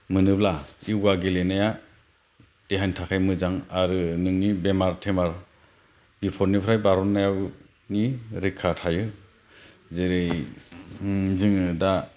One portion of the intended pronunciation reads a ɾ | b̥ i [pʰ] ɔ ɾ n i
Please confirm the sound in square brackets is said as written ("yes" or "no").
yes